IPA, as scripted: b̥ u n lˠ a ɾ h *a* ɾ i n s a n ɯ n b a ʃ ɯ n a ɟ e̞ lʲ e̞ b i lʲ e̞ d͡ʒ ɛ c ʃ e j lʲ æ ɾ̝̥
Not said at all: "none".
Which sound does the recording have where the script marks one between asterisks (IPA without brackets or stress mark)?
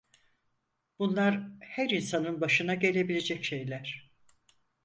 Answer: æ